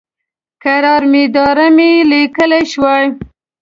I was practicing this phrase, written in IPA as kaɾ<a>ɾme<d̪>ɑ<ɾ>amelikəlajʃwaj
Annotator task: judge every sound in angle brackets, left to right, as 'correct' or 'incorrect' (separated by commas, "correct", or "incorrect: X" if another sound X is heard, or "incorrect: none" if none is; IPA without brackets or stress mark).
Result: incorrect: ɑ, correct, correct